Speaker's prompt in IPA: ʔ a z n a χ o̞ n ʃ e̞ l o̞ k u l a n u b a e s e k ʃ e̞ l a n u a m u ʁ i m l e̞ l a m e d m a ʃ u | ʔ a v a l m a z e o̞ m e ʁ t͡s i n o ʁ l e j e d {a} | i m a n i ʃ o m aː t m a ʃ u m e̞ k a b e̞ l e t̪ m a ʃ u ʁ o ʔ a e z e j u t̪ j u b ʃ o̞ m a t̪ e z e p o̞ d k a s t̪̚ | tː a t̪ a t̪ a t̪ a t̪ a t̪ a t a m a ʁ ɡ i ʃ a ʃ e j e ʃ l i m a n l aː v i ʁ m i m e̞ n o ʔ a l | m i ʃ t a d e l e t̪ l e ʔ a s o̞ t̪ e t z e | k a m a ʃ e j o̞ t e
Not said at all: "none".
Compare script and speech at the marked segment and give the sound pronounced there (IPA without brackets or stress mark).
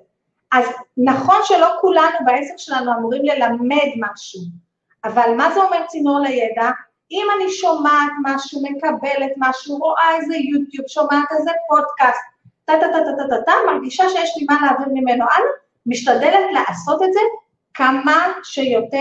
a